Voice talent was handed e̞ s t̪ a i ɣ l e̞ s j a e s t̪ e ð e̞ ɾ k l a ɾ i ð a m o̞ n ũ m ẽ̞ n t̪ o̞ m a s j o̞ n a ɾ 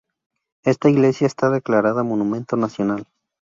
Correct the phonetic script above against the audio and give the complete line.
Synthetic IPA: e̞ s t̪ a i ɣ l e̞ s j a e s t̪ a ð e̞ k l a ɾ a ð a m o̞ n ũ m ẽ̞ n t̪ o̞ n a s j o̞ n a l